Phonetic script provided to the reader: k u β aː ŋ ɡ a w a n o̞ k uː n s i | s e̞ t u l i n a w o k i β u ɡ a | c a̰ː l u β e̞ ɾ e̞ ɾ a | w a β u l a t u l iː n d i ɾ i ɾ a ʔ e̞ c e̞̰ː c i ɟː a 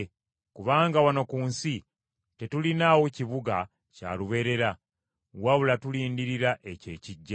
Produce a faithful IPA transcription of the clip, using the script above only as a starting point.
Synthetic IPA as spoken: k u β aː ŋ ɡ a w a n o̞ k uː n s i | t e̞ t u l i n a w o c i β u ɡ a | c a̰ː l u β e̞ ɾ e̞ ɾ a | w a β u l a t u l iː n d i ɾ i ɾ a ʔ e̞ c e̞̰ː c i ɟː a